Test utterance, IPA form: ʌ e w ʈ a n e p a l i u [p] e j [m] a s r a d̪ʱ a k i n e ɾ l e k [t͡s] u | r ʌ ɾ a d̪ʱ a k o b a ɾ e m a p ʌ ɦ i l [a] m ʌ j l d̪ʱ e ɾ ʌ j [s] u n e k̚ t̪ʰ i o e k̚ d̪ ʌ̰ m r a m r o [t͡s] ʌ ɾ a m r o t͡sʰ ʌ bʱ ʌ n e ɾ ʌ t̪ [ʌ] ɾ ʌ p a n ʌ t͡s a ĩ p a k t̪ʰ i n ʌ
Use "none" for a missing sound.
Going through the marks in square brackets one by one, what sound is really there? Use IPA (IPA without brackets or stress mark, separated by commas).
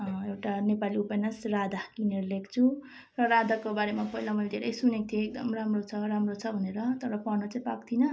p, n, t͡sʰ, a, s, t͡sʰ, ʌ